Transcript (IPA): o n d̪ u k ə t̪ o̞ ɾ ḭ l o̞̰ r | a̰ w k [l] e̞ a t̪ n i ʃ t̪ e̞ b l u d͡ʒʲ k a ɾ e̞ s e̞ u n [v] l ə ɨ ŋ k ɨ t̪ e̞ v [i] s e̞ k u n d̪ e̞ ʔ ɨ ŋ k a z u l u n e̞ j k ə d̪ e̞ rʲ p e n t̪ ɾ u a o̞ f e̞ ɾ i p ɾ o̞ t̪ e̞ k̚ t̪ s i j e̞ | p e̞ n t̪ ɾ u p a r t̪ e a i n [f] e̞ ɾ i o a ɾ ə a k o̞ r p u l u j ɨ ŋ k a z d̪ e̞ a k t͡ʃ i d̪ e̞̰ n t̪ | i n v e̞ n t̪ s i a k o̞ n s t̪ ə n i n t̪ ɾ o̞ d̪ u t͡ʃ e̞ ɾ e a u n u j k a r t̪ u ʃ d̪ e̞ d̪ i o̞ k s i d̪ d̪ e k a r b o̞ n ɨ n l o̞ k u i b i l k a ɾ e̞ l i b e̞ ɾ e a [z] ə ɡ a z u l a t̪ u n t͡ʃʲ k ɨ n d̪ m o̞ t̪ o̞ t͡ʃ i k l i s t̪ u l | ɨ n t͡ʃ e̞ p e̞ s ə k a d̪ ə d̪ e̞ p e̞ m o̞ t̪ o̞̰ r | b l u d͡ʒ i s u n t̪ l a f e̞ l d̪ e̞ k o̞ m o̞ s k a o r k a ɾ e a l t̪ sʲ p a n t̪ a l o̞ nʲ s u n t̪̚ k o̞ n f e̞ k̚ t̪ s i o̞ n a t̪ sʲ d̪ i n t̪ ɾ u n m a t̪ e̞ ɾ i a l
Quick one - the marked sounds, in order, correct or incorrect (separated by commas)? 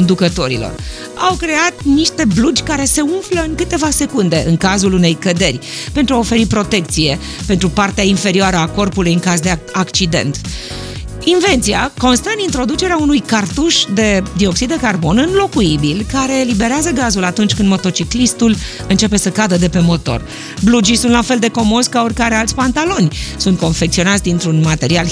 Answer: incorrect, incorrect, incorrect, correct, correct